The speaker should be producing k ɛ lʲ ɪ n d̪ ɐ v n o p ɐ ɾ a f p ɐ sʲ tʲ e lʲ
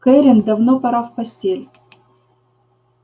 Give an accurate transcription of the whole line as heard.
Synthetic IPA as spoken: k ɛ ɾʲ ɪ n d̪ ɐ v n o p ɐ ɾ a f p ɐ sʲ tʲ e lʲ